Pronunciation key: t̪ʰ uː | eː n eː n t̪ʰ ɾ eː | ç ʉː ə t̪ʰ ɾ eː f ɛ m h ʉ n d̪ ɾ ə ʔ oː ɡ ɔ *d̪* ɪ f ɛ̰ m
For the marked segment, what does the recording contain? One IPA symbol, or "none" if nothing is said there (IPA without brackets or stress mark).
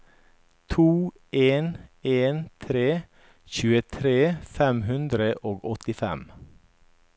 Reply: t̪